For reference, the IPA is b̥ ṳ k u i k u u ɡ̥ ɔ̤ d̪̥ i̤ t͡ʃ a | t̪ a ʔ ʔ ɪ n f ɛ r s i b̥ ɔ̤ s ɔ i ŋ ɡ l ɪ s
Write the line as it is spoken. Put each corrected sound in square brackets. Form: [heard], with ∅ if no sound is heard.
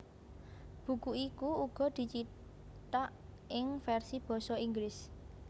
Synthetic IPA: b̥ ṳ k u i k u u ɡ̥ ɔ̤ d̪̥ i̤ t͡ʃ [i] | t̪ a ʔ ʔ ɪ [ŋ] f ɛ r s i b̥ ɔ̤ s ɔ i ŋ ɡ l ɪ s